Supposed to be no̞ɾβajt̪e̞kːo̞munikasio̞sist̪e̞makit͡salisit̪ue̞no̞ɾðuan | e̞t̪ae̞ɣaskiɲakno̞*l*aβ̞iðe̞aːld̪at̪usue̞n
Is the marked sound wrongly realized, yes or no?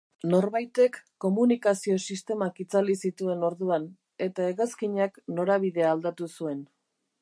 yes